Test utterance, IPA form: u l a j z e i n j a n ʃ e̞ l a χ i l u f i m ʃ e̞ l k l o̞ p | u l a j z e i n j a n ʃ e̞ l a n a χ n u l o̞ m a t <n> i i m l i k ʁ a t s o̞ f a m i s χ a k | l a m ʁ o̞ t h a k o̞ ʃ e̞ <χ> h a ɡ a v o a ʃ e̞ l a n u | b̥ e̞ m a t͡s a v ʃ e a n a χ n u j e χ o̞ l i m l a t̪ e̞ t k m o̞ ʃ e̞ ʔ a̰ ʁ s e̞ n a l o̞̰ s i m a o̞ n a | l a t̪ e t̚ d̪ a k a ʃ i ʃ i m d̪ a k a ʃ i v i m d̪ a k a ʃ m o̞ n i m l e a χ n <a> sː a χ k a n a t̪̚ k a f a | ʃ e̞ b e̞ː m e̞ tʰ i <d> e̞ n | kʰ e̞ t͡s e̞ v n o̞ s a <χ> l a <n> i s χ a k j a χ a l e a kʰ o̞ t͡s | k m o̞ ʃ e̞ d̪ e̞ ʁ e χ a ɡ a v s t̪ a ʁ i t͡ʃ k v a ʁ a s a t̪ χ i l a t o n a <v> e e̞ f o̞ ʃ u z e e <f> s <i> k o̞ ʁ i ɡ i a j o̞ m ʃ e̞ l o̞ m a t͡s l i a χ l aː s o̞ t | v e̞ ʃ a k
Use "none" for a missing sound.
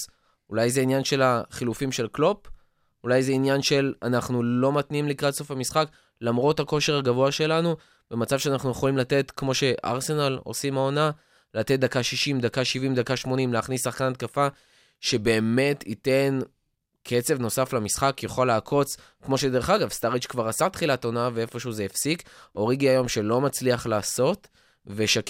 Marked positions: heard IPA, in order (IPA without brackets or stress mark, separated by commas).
n, ʁ, i, t, f, m, v, f, i